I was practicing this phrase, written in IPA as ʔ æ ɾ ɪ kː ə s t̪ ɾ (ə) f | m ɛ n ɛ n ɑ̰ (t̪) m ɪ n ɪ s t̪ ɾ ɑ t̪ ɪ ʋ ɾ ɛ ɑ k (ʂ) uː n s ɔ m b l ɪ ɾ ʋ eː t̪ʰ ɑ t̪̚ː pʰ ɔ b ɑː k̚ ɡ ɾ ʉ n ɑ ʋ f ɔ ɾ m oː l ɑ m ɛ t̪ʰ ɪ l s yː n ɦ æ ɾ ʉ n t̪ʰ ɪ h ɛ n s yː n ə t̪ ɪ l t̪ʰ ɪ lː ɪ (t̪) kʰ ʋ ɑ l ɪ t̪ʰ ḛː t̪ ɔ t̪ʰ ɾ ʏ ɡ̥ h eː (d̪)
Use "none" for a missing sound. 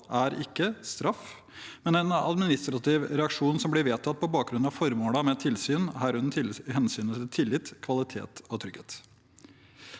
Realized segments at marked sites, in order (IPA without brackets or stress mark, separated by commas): ɑ, d̪, ʂ, t̪, t̪